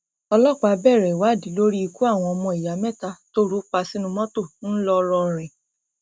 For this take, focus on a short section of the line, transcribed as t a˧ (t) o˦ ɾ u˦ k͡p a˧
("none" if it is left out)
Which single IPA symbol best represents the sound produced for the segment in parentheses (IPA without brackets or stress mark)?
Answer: t